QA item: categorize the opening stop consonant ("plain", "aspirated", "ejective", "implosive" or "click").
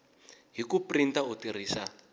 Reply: plain